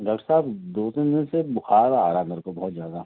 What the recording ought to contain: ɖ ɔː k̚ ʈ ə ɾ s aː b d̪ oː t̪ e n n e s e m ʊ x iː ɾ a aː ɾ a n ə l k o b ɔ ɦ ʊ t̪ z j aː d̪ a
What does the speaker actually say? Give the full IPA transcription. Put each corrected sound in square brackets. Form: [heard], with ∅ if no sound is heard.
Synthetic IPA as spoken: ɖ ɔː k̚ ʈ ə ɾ s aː b d̪ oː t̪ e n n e s e [b] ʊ x [aː] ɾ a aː ɾ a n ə [ɾ] k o b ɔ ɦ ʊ t̪ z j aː d̪ a